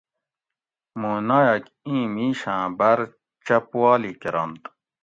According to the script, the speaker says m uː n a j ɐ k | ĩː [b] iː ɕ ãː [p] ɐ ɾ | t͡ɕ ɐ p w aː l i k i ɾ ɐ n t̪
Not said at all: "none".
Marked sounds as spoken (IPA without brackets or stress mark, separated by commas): m, b